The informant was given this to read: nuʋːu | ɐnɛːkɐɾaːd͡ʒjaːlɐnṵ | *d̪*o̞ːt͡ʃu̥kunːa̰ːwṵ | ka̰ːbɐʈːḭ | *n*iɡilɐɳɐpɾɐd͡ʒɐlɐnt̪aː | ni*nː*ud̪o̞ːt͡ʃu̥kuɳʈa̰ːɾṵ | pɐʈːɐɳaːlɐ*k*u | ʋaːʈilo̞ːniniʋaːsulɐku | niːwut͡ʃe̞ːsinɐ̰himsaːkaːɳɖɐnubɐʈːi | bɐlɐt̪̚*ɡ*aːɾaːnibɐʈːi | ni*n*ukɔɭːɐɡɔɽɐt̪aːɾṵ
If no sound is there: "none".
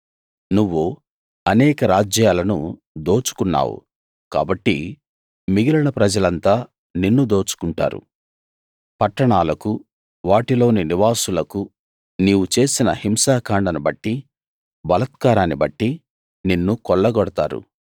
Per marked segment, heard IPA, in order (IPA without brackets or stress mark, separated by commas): d̪, m, nː, k, k, nː